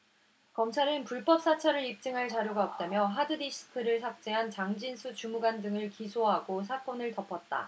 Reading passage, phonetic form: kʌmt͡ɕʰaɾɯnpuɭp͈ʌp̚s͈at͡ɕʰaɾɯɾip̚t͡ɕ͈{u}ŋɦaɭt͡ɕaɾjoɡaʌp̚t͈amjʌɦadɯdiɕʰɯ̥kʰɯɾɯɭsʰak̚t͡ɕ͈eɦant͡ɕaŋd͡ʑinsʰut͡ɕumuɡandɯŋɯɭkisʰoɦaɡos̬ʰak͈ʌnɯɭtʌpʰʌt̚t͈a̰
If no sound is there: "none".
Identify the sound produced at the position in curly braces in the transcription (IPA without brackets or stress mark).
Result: ɯ